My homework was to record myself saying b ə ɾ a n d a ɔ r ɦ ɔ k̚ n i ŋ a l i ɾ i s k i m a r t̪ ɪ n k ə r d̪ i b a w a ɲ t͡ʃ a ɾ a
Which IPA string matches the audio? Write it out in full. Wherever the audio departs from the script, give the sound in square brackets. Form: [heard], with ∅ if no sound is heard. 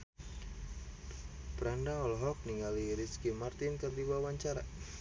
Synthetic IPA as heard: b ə ɾ a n d a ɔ [l] ɦ ɔ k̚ n i ŋ a l i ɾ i s k i m a r t̪ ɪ n k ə r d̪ i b a w a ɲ t͡ʃ a ɾ a